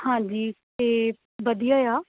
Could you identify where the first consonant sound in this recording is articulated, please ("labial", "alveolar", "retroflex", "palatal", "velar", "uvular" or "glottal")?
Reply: glottal